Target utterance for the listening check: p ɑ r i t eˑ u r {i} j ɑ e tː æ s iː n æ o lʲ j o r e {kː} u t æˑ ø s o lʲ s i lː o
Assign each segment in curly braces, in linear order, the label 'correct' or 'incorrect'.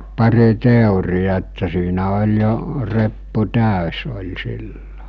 correct, incorrect: pː

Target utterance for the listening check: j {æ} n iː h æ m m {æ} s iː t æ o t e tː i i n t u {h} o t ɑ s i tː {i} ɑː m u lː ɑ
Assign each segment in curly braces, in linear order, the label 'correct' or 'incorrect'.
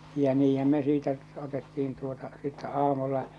correct, incorrect: e, incorrect: none, incorrect: æ

